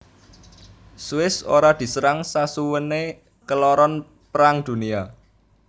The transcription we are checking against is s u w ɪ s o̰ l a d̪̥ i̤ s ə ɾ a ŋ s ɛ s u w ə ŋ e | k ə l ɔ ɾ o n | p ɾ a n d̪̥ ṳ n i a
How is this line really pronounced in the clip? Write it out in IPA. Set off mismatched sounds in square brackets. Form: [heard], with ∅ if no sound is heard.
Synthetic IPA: s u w ɪ s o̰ [ɾ] a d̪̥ i̤ s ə ɾ a ŋ s [a] s u w ə [n] e | k ə l ɔ ɾ [ɔ] n | p ɾ a [ŋ] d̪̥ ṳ n i a